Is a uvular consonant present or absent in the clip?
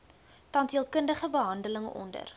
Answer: present